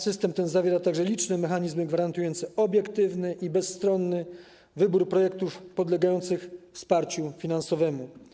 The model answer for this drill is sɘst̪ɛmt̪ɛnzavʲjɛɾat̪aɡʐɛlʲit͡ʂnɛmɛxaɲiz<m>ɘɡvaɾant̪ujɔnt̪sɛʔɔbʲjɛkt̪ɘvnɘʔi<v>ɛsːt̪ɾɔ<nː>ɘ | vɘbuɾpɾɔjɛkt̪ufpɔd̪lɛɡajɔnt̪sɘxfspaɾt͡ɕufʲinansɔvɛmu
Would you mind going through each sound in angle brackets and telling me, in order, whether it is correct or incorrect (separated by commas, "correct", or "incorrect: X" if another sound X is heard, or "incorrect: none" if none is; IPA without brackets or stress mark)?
correct, incorrect: b, correct